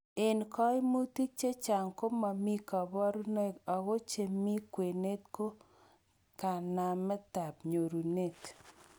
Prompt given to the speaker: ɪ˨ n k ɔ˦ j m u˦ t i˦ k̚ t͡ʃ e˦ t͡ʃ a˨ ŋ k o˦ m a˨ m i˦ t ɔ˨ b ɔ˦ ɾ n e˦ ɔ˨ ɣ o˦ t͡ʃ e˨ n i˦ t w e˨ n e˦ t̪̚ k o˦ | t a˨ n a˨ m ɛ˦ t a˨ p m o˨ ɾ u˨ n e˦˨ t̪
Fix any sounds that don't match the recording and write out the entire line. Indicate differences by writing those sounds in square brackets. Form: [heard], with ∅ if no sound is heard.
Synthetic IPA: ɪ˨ n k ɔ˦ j m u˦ t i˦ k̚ t͡ʃ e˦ t͡ʃ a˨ ŋ k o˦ m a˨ m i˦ [k] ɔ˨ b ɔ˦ ɾ n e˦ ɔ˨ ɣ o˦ t͡ʃ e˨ [m] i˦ [k] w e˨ n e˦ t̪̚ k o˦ | [k] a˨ n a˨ m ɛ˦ t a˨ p [ɲ] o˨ ɾ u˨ n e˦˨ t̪